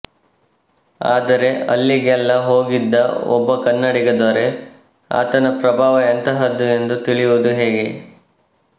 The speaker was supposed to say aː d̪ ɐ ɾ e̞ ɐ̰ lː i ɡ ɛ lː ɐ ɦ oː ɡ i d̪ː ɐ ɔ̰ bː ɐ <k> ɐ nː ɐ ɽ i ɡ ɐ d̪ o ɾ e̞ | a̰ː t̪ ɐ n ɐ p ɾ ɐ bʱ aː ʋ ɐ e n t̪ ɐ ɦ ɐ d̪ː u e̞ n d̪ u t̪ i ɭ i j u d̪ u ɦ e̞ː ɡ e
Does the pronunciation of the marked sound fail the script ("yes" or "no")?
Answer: no